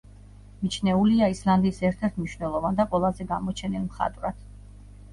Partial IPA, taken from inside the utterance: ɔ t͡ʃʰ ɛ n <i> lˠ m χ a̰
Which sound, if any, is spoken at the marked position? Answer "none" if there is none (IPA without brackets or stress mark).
i